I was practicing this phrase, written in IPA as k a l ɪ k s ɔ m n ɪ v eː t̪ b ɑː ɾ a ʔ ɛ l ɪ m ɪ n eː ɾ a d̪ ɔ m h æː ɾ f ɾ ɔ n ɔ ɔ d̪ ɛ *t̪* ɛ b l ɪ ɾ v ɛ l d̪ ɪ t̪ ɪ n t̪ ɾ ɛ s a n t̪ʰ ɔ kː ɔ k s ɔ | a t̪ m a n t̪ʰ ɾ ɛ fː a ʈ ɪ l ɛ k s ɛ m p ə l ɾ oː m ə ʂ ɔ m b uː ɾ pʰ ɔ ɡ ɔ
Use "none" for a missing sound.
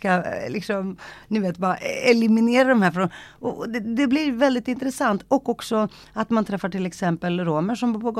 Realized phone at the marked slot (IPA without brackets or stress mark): d̪